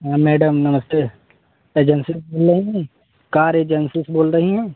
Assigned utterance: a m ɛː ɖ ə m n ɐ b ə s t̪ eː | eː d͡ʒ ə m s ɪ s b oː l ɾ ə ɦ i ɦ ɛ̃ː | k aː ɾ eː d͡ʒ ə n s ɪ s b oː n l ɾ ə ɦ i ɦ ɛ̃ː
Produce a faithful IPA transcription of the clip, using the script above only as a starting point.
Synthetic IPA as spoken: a m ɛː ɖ ə m n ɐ m ə s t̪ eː | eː d͡ʒ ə n s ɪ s b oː l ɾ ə ɦ i ɦ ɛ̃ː | k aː ɾ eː d͡ʒ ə n s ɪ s b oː l ɾ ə ɦ i ɦ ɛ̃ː